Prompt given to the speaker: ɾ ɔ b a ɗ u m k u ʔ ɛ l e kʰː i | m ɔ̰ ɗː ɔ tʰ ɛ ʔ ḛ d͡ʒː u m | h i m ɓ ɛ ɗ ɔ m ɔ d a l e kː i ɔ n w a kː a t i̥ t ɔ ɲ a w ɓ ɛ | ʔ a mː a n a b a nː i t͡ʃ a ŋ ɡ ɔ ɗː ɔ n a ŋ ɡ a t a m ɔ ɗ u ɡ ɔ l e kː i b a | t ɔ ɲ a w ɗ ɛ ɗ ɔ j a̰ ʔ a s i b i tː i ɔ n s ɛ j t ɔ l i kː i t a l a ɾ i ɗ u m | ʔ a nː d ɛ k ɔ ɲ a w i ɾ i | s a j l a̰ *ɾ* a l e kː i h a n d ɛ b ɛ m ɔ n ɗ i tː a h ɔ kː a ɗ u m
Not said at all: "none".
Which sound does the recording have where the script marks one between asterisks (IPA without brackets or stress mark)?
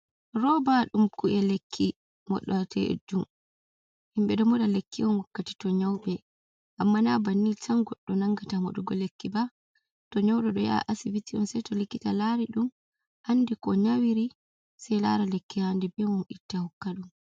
ɾ